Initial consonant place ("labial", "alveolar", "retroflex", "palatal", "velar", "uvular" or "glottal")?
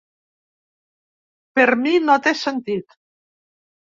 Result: labial